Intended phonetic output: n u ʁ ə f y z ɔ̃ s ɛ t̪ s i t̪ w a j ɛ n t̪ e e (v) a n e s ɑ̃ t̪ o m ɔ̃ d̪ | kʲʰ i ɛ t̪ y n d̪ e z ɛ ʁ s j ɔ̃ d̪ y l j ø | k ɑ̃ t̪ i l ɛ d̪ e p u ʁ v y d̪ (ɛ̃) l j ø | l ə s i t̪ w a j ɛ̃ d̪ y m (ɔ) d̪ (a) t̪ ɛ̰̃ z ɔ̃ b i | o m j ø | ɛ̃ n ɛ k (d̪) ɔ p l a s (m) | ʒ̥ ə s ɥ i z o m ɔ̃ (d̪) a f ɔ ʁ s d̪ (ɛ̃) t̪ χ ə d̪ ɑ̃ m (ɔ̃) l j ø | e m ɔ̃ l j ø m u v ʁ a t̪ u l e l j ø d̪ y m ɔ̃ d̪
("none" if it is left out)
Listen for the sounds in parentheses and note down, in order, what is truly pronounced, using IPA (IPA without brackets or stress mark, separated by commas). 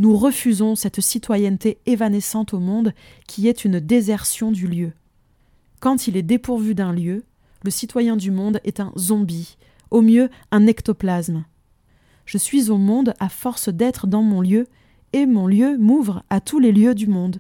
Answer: v, ɛ̃, ɔ̃, ɛ, t̪, m, d̪, ɛ, ɔ̃